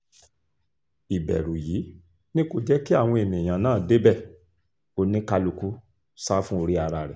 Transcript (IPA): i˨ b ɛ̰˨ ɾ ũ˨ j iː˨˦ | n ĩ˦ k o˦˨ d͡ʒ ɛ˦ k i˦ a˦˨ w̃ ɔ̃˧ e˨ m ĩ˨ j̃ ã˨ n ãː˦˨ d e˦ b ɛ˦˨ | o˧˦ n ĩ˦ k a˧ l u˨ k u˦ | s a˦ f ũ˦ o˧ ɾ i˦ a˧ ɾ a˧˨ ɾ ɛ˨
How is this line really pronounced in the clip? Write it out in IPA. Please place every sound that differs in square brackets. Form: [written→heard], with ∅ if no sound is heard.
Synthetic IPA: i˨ b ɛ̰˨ ɾ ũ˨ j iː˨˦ | n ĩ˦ k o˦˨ d͡ʒ ɛ˦ k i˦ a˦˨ w̃ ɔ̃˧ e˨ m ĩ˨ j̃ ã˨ n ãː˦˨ d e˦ b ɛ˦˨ | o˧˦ n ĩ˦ k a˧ l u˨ k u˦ | s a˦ f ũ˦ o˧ ɾ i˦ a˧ ɾ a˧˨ ɾ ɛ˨